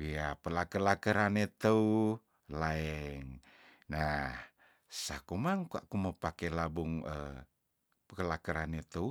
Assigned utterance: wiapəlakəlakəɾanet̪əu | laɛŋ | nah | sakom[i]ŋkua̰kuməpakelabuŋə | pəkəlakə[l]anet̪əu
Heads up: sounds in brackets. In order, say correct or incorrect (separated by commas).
incorrect, incorrect